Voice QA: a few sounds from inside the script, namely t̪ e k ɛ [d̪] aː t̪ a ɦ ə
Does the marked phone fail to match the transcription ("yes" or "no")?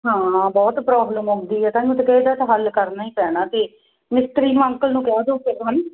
no